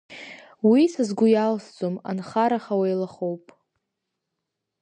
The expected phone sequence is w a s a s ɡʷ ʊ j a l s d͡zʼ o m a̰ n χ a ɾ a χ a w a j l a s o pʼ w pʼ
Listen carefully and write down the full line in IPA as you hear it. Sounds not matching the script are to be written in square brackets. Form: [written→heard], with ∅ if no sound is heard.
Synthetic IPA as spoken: w [a→i] s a [s→z] ɡʷ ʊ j a l s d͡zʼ o m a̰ n χ a ɾ a χ a w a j l a [s→χ] o [pʼ→∅] w pʼ